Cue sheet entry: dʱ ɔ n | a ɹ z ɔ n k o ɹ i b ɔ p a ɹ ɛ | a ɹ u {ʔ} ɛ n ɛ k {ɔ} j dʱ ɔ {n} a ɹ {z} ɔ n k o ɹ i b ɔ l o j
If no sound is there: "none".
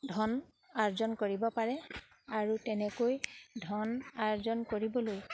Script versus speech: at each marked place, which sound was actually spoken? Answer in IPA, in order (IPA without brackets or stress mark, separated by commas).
t, o, n, z